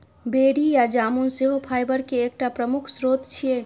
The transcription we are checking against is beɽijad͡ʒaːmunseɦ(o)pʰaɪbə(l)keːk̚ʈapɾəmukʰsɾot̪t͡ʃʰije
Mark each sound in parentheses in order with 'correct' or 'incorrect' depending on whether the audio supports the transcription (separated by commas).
correct, incorrect